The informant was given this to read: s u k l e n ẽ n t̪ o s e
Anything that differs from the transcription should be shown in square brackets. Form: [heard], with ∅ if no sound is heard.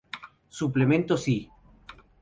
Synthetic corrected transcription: s u [p] l e [m] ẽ n t̪ o s [i]